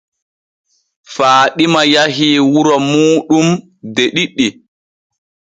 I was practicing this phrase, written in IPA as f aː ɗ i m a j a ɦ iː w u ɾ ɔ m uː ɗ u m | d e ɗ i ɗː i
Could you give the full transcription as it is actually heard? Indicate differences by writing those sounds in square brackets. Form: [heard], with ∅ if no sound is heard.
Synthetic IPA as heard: f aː ɗ i m a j a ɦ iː w u ɾ ɔ m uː ɗ u m | d e ɗ i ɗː i